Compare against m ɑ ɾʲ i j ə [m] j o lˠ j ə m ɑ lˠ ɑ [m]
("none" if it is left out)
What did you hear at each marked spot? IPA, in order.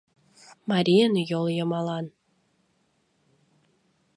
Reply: n, n

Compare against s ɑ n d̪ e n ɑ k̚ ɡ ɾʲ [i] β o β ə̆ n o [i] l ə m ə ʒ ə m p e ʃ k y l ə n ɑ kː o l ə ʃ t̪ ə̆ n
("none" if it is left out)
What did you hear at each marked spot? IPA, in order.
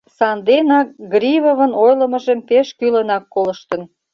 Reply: i, j

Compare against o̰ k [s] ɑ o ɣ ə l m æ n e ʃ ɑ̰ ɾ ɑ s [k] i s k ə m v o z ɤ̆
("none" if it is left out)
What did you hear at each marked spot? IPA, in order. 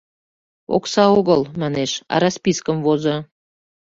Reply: s, p

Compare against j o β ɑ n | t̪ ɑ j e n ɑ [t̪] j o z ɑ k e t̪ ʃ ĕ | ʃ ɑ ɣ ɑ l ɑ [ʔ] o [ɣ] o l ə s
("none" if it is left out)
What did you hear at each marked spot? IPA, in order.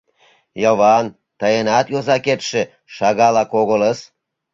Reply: t̪, k, ɣ

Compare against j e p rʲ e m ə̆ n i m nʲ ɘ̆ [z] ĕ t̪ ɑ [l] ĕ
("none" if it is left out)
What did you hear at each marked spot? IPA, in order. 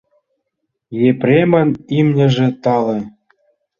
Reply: ʒ, l

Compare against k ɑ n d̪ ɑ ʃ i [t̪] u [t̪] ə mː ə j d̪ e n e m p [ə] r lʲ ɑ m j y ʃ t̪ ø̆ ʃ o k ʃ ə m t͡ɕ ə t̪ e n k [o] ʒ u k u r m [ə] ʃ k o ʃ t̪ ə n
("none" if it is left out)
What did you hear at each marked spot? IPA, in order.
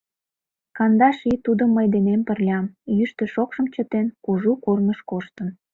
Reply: t̪, d̪, ə, u, ə

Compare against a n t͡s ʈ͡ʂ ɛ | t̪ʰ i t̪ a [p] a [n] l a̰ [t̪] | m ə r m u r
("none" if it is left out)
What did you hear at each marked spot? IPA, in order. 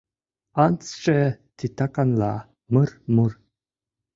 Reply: k, n, none

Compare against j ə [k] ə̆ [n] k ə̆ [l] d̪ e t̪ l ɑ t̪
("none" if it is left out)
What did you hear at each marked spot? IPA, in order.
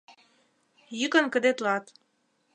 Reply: k, n, none

